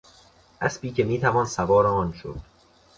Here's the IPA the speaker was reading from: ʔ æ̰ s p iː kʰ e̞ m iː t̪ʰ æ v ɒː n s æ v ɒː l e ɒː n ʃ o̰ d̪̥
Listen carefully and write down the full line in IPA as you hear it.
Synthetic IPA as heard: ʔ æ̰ s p iː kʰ e̞ m iː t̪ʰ æ v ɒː n s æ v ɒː ɾ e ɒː n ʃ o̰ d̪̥